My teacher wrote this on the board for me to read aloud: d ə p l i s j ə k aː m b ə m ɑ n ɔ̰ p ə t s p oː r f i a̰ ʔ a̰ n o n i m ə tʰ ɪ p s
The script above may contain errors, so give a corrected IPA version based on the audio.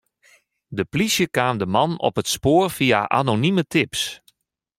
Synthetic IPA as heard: d ə p l i s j ə k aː m d ə m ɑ n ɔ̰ p ə t s p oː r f i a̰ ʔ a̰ n o n i m ə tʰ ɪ p s